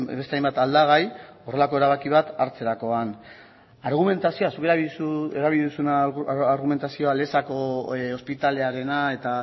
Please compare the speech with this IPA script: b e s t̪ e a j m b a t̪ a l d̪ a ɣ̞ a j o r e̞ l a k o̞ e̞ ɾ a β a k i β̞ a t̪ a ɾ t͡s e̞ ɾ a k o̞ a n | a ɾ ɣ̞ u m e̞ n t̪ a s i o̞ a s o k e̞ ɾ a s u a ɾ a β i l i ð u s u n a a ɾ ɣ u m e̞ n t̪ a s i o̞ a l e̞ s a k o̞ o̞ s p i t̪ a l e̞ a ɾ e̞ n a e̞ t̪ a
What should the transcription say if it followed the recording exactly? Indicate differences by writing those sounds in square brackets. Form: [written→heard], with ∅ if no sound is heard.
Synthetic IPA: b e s t̪ e a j m b a t̪ a l d̪ a ɣ̞ a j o r e̞ l a k o̞ e̞ ɾ a β a k i β̞ a t̪ a ɾ t͡s e̞ ɾ a k o̞ a n | a ɾ ɣ̞ u m e̞ n t̪ a s i o̞ a s [o→u] k e̞ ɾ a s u [a→e] ɾ a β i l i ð u s u n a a ɾ ɣ u m e̞ n t̪ a s i o̞ a l e̞ s a k o̞ o̞ s p i t̪ a l e̞ a ɾ e̞ n a e̞ t̪ a